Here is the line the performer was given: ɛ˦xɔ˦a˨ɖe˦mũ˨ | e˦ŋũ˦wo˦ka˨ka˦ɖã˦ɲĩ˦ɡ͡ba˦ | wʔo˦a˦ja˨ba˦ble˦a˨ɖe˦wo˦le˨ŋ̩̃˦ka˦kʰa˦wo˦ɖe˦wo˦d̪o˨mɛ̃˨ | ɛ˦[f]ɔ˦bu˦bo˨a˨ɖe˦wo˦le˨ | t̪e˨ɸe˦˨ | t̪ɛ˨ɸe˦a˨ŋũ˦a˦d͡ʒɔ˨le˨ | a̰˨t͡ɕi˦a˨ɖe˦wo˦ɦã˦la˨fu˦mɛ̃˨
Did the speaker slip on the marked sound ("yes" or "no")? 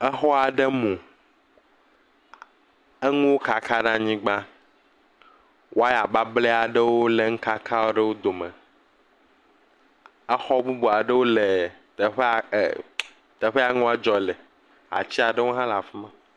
yes